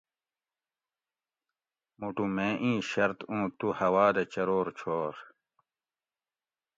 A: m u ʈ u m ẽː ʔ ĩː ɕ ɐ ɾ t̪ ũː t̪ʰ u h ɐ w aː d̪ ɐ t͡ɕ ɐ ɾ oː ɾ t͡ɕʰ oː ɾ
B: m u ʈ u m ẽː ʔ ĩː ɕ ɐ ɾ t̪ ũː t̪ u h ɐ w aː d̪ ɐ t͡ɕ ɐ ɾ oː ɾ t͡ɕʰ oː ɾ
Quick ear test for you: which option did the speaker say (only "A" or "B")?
B